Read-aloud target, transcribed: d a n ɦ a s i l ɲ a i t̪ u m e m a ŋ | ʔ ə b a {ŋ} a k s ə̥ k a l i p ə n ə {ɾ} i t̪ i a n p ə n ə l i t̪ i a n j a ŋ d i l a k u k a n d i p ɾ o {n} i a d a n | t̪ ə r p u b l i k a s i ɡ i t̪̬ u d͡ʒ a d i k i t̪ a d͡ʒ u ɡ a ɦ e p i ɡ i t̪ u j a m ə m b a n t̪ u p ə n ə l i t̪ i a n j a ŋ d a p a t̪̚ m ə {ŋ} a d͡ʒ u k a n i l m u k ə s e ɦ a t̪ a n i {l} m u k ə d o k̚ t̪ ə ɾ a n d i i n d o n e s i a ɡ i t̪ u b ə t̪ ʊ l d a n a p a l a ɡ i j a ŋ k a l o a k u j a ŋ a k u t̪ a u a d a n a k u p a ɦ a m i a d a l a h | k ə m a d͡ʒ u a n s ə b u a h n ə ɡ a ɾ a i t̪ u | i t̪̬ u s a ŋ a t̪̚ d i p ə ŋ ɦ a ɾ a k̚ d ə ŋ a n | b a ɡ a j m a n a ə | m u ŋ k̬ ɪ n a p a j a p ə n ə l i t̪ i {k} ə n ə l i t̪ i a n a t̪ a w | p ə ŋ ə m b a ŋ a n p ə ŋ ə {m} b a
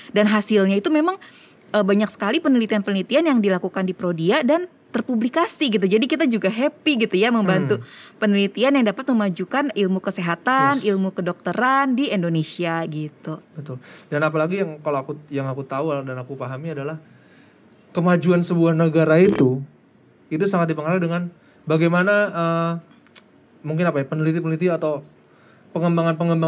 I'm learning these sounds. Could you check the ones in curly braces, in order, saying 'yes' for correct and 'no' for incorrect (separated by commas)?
no, no, no, no, yes, no, yes